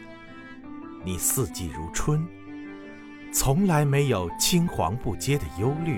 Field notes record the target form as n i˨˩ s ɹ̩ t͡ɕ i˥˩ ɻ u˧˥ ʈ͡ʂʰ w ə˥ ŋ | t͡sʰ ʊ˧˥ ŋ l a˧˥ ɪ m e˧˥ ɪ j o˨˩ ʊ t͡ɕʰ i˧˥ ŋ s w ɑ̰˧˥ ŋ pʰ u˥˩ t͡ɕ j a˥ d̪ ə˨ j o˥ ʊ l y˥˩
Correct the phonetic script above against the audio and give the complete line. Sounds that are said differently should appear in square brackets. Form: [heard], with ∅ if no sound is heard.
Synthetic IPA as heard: n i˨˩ s ɹ̩ t͡ɕ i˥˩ ɻ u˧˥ ʈ͡ʂʰ w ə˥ [n] | t͡sʰ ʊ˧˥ ŋ l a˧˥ ɪ m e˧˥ ɪ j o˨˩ ʊ t͡ɕʰ [i˥] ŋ [x] w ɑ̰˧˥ ŋ [p] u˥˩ t͡ɕ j [ɛ˥] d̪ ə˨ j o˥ ʊ l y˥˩